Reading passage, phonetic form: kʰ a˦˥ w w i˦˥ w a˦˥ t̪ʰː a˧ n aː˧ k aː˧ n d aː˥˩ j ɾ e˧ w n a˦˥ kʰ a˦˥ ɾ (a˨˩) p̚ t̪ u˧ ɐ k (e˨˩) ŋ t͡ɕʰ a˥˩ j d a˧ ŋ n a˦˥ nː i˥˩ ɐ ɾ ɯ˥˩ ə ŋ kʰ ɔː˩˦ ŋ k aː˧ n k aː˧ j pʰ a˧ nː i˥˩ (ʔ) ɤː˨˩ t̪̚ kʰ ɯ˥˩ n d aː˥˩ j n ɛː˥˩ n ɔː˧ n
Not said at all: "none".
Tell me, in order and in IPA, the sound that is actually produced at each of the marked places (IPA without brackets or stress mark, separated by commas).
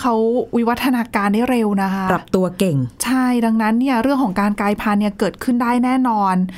a˨˩, e˨˩, k